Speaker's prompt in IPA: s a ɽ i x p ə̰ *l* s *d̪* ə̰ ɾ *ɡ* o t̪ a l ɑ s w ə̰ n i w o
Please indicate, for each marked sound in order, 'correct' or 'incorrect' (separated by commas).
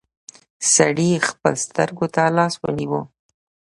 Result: correct, incorrect, correct